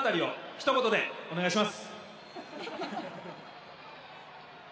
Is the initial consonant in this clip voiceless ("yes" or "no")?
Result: yes